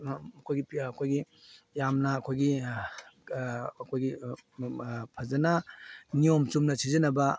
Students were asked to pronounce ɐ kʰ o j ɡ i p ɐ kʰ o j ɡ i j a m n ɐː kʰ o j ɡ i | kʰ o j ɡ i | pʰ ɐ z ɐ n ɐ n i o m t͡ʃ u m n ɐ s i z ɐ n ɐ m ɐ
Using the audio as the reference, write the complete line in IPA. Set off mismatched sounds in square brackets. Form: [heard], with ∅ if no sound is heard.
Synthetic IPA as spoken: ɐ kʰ o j ɡ i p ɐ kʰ o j ɡ i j a m n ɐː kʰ o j ɡ i | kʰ o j ɡ i | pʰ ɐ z ɐ n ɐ n i o m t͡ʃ u m n ɐ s i z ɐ n ɐ [b] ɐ